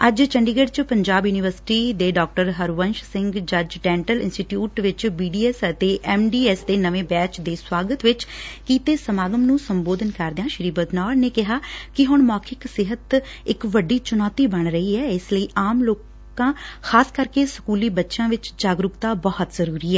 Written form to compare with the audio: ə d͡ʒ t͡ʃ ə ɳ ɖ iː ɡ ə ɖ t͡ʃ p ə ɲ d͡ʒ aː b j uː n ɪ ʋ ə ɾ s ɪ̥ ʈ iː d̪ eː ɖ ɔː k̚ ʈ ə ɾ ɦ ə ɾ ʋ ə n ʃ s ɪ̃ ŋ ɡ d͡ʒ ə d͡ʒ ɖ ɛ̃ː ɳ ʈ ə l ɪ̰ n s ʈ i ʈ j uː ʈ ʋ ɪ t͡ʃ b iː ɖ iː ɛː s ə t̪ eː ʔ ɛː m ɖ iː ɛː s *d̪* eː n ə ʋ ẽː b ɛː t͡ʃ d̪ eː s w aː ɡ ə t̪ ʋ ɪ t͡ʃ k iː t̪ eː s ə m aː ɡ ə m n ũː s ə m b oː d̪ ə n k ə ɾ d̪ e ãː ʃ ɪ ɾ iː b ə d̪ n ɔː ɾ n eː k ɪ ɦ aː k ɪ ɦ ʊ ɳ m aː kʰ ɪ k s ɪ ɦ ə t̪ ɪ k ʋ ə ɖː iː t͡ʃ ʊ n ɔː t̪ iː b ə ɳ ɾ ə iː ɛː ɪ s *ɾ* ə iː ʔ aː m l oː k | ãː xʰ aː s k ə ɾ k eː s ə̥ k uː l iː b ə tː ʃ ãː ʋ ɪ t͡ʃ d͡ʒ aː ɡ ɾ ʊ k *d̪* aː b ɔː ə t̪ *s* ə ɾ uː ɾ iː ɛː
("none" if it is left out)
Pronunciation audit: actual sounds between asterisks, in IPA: d̪, l, t̪, z

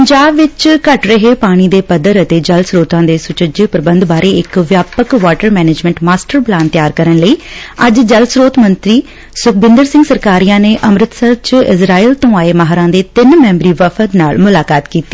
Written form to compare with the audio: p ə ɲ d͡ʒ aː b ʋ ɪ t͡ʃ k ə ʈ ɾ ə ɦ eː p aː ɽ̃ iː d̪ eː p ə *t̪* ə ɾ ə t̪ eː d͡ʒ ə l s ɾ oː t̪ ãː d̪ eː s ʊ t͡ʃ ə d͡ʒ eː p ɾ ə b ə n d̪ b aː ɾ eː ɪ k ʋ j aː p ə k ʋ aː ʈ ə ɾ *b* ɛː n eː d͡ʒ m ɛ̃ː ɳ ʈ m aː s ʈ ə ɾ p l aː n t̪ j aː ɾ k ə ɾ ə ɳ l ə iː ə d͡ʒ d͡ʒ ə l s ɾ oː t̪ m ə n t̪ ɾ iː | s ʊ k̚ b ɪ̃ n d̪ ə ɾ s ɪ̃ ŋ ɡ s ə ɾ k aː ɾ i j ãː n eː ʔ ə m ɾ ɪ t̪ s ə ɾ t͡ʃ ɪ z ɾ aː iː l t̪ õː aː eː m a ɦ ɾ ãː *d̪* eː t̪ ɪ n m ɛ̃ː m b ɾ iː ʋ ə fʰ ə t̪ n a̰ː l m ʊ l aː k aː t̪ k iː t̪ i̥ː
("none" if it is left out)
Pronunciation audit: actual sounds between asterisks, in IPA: d̪, m, d̪

